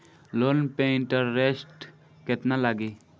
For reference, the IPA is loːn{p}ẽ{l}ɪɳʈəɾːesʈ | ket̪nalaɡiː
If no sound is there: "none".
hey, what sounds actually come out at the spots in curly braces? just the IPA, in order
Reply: p, none

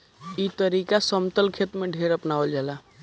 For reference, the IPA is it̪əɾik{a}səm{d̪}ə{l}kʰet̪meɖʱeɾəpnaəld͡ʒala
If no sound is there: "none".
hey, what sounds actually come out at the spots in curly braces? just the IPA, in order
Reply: a, t̪, l

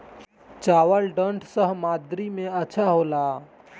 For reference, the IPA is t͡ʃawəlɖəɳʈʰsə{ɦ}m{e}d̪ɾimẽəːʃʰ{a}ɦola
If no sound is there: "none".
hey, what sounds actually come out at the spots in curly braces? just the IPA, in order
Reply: ɦ, a, a

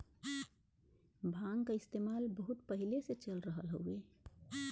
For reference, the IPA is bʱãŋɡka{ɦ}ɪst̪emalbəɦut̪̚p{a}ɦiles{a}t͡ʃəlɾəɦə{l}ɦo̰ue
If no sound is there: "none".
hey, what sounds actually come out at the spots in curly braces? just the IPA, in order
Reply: none, ə, e, l

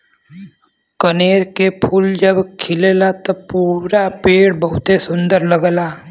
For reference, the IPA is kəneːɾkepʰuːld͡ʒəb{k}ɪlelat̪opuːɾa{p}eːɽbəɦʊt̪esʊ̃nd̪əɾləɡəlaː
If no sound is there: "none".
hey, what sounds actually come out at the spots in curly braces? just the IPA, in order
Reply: kʰ, p

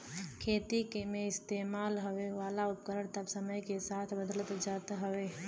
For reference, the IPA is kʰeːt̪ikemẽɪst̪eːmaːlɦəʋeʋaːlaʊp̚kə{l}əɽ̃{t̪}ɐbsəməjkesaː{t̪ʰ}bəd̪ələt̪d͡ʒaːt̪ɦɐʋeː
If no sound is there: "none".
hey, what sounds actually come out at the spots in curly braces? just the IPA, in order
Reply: ɾ, t̪, t̪ʰ

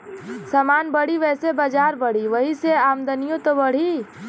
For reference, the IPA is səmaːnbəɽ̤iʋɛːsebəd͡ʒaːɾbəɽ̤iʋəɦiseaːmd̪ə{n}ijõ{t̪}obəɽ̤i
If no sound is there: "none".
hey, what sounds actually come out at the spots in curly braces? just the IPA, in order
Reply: n, t̪

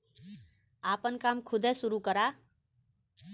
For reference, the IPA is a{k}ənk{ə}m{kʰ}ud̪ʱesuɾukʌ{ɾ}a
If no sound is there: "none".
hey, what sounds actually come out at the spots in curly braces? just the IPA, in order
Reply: p, a, kʰ, ɾ

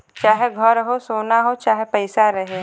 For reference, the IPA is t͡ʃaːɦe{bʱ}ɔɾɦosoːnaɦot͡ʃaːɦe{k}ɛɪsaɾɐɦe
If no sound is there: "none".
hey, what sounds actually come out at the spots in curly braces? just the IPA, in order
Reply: ɡʱ, p

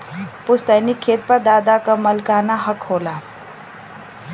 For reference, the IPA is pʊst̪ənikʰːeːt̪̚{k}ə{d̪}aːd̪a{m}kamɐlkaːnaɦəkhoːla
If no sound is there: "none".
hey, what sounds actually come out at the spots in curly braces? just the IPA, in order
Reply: p, d̪, none

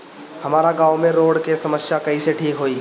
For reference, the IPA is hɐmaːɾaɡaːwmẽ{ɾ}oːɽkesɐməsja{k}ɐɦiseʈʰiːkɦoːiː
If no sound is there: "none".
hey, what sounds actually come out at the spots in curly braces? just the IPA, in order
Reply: ɾ, k

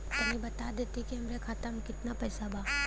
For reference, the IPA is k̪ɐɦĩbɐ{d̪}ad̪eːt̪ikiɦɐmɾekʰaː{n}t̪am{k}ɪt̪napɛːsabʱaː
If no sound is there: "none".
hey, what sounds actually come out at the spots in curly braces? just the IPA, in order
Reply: t̪, none, k

